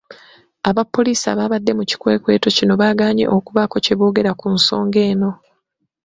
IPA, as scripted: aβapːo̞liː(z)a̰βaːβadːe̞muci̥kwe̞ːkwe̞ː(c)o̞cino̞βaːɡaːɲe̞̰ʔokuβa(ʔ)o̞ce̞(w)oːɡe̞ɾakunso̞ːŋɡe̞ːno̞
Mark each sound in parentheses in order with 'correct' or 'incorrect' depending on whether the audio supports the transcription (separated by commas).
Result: incorrect, incorrect, incorrect, incorrect